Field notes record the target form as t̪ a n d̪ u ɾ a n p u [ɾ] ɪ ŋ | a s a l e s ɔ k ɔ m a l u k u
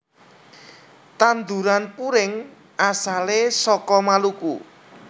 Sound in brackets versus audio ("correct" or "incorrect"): correct